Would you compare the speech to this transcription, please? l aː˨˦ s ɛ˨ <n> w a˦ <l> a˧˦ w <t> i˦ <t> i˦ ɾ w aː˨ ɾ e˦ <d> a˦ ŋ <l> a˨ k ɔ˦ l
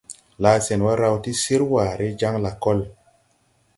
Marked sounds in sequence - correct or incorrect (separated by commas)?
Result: correct, incorrect, correct, incorrect, incorrect, correct